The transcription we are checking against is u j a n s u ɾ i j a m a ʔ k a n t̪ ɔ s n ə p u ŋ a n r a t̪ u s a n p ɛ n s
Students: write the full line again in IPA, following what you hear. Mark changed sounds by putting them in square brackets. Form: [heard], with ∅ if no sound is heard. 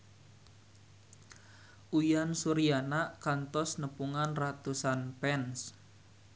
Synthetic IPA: u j a n s u ɾ i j a [n] a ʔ k a n t̪ ɔ s n ə p u ŋ a n r a t̪ u s a n p ɛ n s